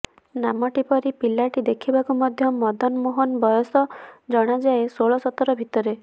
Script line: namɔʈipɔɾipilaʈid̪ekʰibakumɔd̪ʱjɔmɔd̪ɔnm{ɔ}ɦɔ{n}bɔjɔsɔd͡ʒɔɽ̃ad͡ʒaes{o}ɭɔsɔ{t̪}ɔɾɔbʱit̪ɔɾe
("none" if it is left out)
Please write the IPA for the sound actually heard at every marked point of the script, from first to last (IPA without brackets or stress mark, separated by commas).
o, n, o, t̪